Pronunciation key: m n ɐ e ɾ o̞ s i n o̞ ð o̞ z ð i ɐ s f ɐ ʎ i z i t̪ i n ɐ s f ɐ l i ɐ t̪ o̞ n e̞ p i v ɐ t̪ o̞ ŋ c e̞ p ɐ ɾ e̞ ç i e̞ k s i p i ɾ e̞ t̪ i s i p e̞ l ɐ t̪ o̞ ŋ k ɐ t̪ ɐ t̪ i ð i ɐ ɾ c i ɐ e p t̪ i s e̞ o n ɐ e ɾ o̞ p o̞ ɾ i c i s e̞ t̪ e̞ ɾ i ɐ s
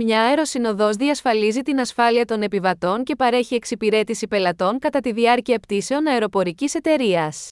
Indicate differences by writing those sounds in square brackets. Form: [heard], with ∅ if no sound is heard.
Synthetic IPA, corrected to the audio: m [ɲ] ɐ e ɾ o̞ s i n o̞ ð o̞ z ð i ɐ s f ɐ [l] i z i t̪ i n ɐ s f ɐ l i ɐ t̪ o̞ n e̞ p i v ɐ t̪ o̞ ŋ c e̞ p ɐ ɾ e̞ ç i e̞ k s i p i ɾ e̞ t̪ i s i p e̞ l ɐ t̪ o̞ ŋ k ɐ t̪ ɐ t̪ i ð i ɐ ɾ c i ɐ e p t̪ i s e̞ o n ɐ e ɾ o̞ p o̞ ɾ i c i s e̞ t̪ e̞ ɾ i ɐ s